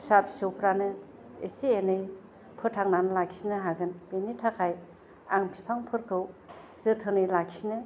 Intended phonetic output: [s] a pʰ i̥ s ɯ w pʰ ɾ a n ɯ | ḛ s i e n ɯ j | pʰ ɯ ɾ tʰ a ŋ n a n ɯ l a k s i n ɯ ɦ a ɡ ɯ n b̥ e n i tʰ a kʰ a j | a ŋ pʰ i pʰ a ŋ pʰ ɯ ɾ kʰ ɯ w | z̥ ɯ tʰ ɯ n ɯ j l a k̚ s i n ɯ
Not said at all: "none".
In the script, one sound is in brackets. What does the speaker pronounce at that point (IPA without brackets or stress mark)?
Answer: s